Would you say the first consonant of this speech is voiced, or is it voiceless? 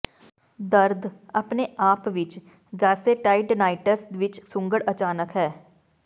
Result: voiced